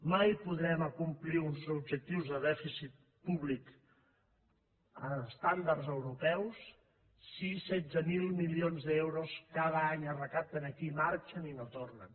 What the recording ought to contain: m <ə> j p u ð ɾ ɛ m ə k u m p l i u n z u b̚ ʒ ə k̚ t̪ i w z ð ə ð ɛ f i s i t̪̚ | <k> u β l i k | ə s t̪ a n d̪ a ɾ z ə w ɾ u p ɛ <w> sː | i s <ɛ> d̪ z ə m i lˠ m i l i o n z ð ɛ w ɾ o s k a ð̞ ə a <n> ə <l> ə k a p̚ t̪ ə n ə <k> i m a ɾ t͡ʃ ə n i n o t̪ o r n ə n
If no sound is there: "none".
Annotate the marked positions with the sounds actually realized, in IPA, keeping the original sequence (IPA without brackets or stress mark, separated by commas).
a, p, w, ɛ, ɲ, r, k